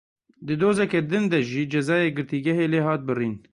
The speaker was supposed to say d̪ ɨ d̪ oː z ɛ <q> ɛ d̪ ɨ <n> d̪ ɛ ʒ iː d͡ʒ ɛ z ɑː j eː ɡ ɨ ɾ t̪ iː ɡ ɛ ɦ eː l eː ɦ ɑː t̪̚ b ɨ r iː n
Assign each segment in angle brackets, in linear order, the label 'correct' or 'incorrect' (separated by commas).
incorrect, correct